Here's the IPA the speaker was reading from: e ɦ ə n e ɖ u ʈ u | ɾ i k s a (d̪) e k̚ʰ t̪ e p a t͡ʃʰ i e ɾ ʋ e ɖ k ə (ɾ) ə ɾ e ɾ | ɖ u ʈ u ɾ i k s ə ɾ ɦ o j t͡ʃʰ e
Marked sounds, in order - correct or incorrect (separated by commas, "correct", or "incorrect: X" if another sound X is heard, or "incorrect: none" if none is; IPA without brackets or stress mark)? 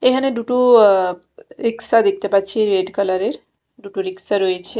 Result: correct, incorrect: l